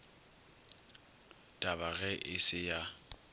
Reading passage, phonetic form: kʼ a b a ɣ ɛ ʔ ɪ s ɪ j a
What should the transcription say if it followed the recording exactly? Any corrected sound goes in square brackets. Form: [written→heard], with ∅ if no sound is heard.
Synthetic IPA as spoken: [kʼ→tʼ] a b a ɣ ɛ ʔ ɪ s ɪ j a